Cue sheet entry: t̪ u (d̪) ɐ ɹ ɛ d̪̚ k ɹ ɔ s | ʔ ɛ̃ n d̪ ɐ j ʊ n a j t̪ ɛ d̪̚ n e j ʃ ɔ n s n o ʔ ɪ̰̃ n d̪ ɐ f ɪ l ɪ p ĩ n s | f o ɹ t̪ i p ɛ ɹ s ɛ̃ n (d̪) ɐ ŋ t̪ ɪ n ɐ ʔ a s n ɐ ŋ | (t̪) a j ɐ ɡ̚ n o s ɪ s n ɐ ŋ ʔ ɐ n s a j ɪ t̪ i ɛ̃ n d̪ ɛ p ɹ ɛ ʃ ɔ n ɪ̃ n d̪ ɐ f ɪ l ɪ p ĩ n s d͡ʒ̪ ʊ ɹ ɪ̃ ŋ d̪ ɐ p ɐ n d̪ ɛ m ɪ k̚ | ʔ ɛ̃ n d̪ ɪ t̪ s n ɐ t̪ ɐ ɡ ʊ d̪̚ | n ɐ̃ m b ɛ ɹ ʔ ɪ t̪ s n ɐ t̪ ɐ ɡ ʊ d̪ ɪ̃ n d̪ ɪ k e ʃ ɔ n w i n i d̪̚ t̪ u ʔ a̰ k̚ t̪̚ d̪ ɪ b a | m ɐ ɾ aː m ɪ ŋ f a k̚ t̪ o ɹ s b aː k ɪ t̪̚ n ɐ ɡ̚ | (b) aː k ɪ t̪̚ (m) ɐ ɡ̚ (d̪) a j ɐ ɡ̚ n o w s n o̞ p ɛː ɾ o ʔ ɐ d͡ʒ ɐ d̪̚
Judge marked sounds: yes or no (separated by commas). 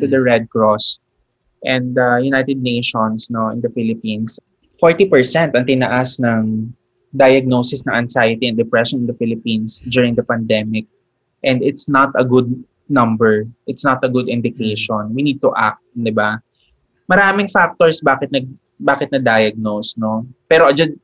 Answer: yes, no, no, yes, no, yes